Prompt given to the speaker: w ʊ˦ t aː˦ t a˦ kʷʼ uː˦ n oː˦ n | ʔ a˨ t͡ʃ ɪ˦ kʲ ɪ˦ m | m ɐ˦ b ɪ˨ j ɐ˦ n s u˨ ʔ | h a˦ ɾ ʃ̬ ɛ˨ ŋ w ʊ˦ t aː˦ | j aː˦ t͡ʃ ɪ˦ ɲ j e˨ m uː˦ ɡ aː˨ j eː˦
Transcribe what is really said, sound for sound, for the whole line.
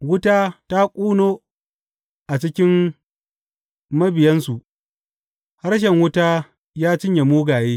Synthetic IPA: w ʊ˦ t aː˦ t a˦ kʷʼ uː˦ n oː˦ | ʔ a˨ t͡ʃ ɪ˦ kʲ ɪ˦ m | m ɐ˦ b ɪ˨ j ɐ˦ n s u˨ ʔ | h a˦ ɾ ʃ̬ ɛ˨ ŋ w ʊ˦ t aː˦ | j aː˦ t͡ʃ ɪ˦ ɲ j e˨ m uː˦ ɡ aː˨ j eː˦